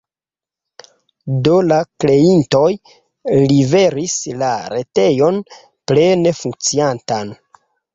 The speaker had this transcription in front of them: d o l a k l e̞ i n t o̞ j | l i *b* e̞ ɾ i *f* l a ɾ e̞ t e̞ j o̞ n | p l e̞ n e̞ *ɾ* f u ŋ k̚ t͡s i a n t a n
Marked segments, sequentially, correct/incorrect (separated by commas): incorrect, incorrect, incorrect